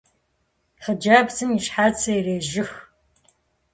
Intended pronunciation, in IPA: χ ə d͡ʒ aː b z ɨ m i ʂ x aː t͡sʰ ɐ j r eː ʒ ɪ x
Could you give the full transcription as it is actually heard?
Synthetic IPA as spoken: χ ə d͡ʒ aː b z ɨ m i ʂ ħ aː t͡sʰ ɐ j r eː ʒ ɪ x

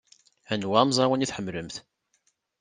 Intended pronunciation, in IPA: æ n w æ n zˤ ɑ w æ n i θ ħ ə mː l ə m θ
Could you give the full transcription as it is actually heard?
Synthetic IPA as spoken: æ n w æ m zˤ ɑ w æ n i θ ħ ə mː l ə m θ

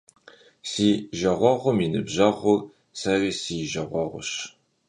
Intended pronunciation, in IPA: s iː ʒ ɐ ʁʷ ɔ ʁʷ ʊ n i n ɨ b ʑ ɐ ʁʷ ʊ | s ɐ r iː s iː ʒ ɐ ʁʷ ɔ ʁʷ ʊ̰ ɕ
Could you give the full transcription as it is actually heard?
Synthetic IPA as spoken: s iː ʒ ɐ ʁʷ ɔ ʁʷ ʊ m i n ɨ b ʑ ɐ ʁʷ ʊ | s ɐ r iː s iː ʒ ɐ ʁʷ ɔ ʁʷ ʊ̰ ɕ

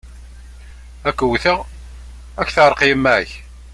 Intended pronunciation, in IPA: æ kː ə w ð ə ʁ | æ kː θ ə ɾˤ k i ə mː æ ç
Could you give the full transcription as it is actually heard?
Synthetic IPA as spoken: æ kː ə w θ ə ʁ | æ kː θ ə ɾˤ q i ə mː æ ç

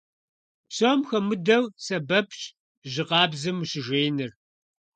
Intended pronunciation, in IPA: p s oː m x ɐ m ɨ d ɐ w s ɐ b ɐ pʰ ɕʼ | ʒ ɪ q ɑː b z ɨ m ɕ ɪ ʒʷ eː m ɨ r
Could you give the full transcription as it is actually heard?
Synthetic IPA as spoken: p s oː m x ɐ m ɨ d ɐ w s ɐ b ɐ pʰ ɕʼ | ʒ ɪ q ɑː b z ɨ m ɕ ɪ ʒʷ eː n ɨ r

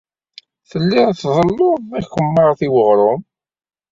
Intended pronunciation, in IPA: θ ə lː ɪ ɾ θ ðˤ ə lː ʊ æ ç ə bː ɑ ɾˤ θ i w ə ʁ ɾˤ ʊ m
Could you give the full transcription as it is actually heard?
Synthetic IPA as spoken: θ ə lː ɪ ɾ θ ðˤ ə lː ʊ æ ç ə mː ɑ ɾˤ θ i w ə ʁ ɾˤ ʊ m

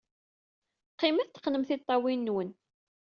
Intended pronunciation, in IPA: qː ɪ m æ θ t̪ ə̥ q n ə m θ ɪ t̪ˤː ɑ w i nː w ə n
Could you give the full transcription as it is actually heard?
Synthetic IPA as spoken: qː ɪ m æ θ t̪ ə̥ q n ə m θ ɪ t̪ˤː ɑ w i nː w ə n

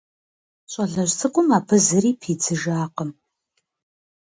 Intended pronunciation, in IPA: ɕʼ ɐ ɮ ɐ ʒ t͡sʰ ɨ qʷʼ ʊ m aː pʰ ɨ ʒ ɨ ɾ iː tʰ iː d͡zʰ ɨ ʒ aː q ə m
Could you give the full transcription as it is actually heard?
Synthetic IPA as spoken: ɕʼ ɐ ɮ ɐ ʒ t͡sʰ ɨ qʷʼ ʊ m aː pʰ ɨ z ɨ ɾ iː pʰ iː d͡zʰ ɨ ʒ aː q ə m

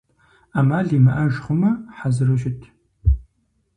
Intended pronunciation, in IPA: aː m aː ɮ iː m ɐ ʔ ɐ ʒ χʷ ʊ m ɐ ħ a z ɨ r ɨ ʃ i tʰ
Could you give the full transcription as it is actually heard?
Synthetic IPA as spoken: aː m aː ɮ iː m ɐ ʔ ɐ ʒ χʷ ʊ m ɐ ħ a z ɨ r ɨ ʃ ɪ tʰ

